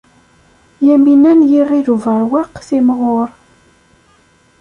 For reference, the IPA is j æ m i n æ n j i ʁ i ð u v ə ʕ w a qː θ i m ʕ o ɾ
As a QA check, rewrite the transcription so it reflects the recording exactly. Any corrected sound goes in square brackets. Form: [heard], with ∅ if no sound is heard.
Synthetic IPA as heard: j æ m i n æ n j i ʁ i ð u v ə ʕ w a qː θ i m [ʁ] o ɾ